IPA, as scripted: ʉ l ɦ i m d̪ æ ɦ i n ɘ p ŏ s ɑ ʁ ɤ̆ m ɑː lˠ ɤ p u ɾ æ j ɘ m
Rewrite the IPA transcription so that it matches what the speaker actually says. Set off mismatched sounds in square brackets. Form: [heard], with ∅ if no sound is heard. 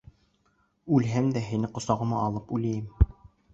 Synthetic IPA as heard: ʉ l ɦ [æ] m d̪ æ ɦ i n ɘ [q] ŏ s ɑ ʁ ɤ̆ m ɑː lˠ ɤ p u [l] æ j ɘ m